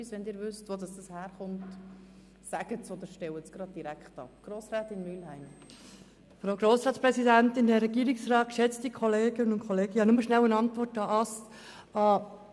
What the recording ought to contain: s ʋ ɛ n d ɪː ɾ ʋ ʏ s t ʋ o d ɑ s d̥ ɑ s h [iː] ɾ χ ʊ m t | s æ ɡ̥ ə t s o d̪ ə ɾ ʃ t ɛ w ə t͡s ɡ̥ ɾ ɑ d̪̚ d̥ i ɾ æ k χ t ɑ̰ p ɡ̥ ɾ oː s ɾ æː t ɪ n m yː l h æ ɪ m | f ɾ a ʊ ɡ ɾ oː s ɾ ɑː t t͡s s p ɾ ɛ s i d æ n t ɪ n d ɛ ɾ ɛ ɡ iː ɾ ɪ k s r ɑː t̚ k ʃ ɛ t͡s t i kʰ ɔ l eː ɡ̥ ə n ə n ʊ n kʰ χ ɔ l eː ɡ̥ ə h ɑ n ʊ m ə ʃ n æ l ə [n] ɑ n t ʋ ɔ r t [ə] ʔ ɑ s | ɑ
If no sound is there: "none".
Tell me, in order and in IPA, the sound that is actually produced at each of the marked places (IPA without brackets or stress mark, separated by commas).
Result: æː, n, ɑ